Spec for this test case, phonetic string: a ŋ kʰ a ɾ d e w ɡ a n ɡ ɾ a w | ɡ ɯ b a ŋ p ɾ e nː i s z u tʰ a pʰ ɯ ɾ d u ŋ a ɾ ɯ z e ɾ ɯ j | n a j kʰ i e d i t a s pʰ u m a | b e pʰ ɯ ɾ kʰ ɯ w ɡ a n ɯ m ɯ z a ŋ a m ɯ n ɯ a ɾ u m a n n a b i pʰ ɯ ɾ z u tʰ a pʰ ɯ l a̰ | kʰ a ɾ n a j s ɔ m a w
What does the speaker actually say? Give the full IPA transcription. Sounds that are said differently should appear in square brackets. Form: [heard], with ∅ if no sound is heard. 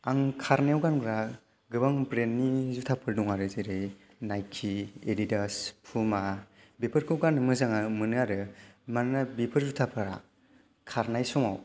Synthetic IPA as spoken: a ŋ kʰ a ɾ [n] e w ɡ a n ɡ ɾ a [∅] | ɡ ɯ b a ŋ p ɾ e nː i [∅] z u tʰ a pʰ ɯ ɾ d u ŋ a ɾ ɯ z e ɾ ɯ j | n a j kʰ i e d i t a s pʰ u m a | b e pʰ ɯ ɾ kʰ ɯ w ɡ a n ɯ m ɯ z a ŋ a m ɯ n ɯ a ɾ [ɯ] m a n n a b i pʰ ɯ ɾ z u tʰ a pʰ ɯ [ɾ] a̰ | kʰ a ɾ n a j s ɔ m a w